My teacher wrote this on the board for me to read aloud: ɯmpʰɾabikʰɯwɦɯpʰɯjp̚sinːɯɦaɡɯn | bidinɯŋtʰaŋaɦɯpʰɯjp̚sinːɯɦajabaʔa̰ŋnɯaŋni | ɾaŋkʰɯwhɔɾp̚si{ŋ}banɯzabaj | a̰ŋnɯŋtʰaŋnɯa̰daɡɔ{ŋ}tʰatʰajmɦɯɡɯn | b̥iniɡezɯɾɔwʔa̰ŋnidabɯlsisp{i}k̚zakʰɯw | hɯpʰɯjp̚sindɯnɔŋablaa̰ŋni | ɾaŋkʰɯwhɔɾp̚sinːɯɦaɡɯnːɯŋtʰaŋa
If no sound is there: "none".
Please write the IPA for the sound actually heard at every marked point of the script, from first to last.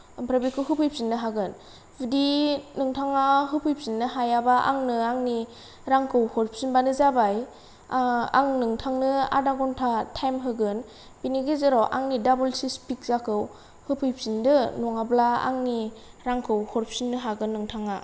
n, n, i

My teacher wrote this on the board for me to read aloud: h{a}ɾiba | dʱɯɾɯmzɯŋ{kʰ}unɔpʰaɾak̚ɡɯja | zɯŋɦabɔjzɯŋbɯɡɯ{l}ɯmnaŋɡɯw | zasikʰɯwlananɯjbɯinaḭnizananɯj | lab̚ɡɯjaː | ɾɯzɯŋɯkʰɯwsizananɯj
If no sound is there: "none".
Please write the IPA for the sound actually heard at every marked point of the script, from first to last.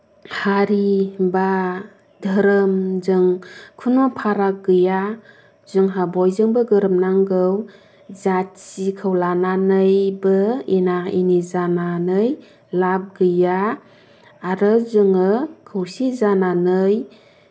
a, kʰ, ɾ

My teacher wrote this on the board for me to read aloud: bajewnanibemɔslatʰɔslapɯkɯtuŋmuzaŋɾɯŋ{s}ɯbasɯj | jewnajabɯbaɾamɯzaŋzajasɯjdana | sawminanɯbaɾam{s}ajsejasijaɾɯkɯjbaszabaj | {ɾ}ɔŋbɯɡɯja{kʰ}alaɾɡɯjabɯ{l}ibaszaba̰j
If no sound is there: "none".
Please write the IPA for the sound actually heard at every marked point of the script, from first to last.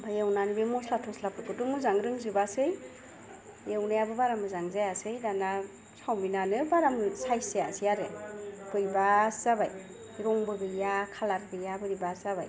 z, s, ɾ, kʰ, ɾ

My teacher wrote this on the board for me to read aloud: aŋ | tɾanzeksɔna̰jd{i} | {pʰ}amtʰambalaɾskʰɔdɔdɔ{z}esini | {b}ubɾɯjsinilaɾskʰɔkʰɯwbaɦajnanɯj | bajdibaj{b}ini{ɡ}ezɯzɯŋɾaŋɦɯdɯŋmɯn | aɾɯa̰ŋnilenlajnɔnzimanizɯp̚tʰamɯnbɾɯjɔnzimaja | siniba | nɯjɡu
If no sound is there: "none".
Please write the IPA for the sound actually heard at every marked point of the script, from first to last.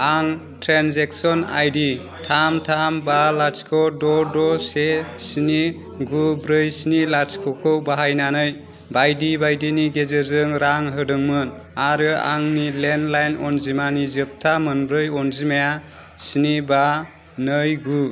i, tʰ, s, ɡ, d, ɡ

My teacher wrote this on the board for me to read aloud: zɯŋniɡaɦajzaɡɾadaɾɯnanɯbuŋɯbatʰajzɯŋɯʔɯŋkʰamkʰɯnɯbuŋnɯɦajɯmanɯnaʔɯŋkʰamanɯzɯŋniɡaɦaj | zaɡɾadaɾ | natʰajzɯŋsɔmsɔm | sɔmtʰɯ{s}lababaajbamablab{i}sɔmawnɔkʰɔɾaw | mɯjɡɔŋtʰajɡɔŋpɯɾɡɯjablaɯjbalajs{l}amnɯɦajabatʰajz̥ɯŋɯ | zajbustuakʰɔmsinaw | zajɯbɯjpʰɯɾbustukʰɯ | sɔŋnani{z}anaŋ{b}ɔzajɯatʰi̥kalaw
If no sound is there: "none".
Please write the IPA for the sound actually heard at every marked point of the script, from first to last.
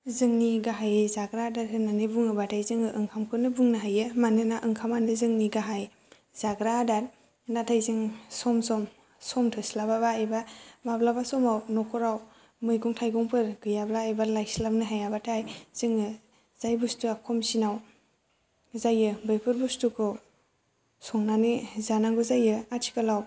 s, a, l, z, ɡ

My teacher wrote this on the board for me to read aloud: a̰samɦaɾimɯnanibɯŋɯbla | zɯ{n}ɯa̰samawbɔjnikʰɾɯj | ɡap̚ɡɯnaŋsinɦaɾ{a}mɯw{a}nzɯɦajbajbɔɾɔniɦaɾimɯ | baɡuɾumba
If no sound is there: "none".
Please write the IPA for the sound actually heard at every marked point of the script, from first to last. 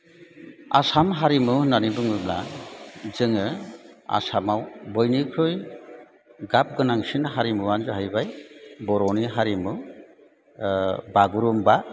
ŋ, i, a

